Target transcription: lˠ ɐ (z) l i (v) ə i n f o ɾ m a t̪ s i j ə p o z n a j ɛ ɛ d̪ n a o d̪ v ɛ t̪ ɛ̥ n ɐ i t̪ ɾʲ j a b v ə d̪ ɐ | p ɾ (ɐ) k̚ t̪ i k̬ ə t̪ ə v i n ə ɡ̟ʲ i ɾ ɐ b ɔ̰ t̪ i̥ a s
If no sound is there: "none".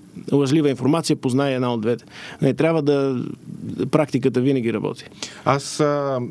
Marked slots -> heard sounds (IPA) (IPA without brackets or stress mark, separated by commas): ʒ, v, a